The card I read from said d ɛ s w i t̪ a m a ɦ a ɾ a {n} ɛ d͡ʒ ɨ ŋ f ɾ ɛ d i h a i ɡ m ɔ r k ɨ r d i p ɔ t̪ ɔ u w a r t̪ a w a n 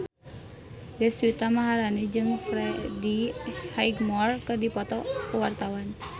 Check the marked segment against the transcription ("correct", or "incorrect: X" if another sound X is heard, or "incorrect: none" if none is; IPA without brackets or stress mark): correct